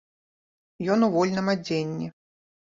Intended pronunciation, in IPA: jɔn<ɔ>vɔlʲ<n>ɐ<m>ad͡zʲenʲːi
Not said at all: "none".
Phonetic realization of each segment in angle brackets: u, n, m

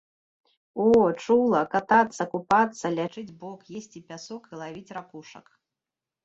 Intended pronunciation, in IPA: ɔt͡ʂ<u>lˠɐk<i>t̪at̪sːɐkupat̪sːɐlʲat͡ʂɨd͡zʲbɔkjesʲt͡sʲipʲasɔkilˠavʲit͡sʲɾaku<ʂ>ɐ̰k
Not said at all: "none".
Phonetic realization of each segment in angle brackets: u, a, ʂ

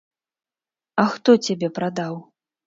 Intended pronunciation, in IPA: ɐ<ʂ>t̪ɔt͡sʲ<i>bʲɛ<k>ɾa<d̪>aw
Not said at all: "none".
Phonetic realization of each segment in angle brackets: x, a, p, d̪

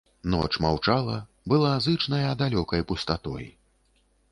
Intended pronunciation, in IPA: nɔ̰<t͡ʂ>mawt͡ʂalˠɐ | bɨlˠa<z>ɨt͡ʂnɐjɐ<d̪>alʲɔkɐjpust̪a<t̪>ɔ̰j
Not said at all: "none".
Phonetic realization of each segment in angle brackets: t͡ʂ, z, d̪, t̪

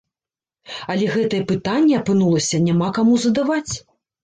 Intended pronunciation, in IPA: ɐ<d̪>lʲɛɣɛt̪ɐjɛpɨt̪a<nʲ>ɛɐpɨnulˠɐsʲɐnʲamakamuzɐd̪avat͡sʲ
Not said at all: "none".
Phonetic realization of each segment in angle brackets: none, nʲː

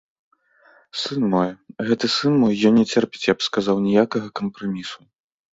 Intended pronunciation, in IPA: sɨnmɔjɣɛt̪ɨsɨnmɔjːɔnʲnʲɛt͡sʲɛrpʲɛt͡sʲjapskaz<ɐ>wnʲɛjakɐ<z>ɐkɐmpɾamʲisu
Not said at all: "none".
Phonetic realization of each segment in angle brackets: a, ɣ

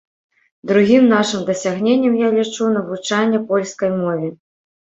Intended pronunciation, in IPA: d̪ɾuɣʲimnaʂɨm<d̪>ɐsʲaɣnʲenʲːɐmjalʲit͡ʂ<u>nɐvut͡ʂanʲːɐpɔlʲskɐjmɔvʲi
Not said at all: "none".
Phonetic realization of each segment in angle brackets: d̪, u

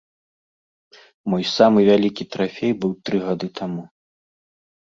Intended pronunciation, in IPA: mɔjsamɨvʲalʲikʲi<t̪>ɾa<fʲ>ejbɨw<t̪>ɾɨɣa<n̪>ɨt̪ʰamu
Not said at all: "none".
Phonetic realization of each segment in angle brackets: t̪, fʲ, t̪, d̪

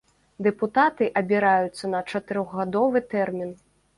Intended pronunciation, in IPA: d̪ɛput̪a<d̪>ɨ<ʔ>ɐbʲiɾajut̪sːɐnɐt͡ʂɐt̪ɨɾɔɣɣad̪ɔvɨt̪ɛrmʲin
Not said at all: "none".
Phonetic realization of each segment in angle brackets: t̪, ʔ

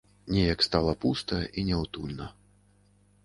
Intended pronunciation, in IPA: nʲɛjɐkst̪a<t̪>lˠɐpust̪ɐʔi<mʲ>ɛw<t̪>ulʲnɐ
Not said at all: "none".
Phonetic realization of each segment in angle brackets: none, nʲ, t̪

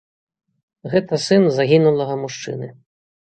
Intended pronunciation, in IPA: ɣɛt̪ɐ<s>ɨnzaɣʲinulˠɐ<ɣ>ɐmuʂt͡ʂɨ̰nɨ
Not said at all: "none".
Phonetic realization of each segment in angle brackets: s, ɣ

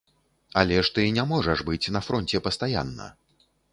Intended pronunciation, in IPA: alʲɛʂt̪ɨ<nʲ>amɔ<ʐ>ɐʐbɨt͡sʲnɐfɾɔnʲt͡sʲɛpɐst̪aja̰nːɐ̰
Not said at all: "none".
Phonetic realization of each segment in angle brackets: nʲ, ʐ

